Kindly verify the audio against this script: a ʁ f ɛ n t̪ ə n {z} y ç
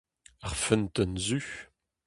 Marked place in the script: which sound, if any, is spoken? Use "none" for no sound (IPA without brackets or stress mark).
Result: z